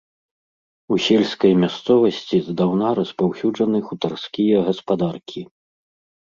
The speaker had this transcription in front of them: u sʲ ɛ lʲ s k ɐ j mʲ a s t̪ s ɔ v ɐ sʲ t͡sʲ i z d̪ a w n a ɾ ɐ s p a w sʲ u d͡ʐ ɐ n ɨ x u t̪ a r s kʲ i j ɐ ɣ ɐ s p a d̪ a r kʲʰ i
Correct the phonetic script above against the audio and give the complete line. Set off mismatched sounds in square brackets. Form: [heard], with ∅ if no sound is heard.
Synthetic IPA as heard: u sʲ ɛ lʲ s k ɐ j mʲ a s t̪ s ɔ v ɐ sʲ t͡sʲ i z d̪ a w n a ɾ ɐ s p a w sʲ u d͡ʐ ɐ n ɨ x u t̪ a r s kʲ i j ɐ ɣ ɐ s p a d̪ a r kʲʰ i